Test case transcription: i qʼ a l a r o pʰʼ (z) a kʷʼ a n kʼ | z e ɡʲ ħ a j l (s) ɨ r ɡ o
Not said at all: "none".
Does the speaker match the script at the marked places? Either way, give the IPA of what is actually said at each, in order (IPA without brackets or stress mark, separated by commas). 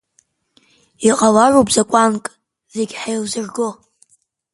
z, z